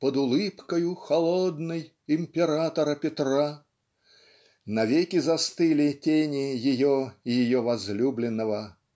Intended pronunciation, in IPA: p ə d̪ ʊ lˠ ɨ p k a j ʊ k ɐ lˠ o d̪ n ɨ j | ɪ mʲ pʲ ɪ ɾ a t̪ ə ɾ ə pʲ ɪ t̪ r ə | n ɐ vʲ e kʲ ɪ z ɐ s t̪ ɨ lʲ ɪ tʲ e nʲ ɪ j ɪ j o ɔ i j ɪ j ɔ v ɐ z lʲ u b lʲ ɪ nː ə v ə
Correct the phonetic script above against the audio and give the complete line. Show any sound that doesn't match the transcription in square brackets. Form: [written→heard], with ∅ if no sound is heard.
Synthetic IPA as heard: p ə d̪ ʊ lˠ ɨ p k [a→ə] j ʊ [k→x] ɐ lˠ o d̪ n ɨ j | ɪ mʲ pʲ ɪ ɾ a t̪ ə ɾ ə pʲ ɪ t̪ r [ə→a] | n ɐ vʲ e kʲ ɪ z ɐ s t̪ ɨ lʲ ɪ tʲ e nʲ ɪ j ɪ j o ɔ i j ɪ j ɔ v ɐ z lʲ u b lʲ ɪ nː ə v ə